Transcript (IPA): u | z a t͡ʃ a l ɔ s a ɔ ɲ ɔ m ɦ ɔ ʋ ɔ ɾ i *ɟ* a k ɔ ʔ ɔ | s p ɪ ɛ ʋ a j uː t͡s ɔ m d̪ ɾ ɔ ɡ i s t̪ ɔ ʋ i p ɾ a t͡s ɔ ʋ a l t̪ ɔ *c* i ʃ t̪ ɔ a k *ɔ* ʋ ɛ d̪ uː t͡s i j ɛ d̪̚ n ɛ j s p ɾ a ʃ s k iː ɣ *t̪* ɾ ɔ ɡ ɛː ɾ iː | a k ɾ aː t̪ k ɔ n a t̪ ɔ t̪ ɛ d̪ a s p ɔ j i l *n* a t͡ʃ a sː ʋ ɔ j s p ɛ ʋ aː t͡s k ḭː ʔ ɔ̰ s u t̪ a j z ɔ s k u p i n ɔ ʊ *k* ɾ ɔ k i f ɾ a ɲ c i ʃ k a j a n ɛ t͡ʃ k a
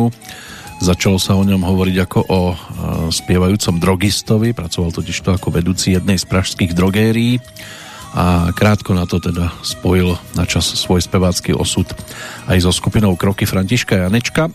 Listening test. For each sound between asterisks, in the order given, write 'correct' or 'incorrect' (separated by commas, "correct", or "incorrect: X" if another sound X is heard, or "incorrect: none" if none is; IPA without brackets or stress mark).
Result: correct, correct, correct, incorrect: d̪, correct, correct